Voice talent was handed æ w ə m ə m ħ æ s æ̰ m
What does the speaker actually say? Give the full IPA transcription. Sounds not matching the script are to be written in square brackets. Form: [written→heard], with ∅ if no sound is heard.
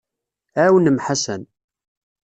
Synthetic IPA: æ w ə [m→n] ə m ħ [æ→a] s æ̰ [m→n]